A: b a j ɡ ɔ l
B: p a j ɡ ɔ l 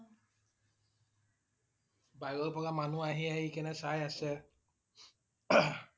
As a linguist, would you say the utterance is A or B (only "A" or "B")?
A